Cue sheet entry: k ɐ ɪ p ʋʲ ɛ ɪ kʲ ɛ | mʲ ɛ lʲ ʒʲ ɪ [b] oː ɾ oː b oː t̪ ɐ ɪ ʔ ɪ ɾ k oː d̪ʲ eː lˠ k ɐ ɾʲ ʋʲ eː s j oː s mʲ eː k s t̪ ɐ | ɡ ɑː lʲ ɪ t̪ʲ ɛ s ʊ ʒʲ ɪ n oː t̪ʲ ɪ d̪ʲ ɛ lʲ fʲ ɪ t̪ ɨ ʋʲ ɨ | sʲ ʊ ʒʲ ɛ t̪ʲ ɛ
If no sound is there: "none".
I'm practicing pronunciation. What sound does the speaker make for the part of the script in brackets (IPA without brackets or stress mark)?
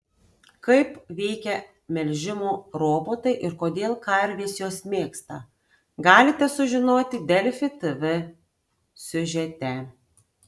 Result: m